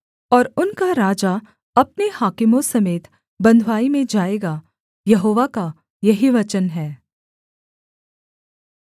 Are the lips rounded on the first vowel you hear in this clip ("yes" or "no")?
yes